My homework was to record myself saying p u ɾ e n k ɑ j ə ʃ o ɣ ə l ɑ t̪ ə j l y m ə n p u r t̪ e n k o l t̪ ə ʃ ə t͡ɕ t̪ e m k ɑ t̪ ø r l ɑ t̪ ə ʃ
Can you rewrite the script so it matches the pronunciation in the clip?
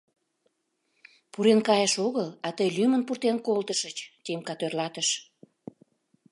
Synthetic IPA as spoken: p u ɾ e n k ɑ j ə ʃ o ɣ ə l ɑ t̪ ə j l y m ə n p u r t̪ e n k o l t̪ ə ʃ ə t͡ɕ t̪ e m k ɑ t̪ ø r l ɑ t̪ ə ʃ